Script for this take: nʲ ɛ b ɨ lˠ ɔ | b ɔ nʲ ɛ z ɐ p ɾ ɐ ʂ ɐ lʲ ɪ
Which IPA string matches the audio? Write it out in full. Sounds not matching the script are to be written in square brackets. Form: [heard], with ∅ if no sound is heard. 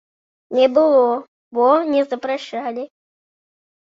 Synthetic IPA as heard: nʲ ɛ b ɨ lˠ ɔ | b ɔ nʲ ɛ z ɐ p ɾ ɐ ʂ [a] lʲ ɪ